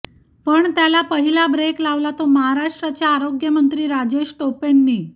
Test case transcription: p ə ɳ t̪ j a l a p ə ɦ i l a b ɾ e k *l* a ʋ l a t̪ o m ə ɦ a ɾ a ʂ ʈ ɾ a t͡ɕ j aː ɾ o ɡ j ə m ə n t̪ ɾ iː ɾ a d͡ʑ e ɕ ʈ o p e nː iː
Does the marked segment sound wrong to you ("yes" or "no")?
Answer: no